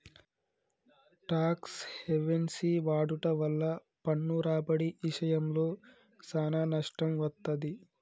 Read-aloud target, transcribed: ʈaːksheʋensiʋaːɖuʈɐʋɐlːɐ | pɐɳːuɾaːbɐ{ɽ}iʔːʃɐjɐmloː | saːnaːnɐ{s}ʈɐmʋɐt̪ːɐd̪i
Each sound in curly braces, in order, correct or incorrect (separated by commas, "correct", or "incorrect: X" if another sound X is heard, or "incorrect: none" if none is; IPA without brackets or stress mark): correct, incorrect: ʂ